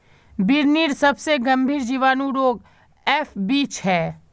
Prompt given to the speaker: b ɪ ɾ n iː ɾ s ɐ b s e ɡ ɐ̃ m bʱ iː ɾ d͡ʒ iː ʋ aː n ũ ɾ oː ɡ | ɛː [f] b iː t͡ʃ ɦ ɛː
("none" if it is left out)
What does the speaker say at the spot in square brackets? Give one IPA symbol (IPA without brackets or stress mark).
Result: f